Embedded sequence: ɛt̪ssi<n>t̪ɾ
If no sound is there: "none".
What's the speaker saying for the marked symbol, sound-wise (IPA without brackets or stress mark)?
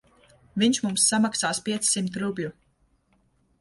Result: m